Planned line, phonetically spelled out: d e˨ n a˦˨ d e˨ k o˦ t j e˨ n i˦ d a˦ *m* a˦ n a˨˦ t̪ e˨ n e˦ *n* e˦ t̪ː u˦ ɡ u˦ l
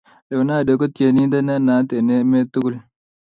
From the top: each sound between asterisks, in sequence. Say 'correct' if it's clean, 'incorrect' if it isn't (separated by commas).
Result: incorrect, incorrect